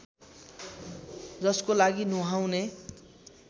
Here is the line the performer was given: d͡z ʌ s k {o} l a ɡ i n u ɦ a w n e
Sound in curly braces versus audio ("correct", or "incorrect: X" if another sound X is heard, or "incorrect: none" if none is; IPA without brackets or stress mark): correct